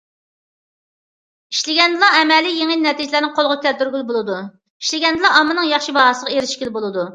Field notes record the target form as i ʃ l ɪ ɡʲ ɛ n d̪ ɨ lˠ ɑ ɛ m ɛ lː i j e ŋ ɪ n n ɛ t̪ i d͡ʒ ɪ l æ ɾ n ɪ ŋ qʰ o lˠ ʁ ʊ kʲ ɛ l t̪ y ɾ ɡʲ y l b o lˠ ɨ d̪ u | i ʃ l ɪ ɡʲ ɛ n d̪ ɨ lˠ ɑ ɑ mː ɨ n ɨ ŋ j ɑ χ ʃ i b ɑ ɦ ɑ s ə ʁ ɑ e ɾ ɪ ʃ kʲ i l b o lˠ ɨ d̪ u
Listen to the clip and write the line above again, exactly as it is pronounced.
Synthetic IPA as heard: i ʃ l ɪ ɡʲ ɛ n d̪ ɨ lˠ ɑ ɛ m ɛ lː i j e ŋ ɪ n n ɛ t̪ i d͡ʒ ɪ l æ ɾ n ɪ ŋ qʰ o lˠ ʁ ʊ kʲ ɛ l t̪ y ɾ ɡʲ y l b o lˠ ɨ d̪ u | i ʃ l ɪ ɡʲ ɛ n d̪ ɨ lˠ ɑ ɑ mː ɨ n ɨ ŋ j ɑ χ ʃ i b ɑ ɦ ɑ s ə ʁ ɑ e ɾ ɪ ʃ kʲ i l b o lˠ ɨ d̪ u